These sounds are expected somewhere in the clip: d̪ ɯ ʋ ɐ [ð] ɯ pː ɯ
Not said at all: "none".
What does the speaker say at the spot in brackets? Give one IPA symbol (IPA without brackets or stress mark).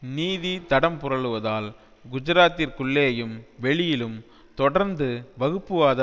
ɣ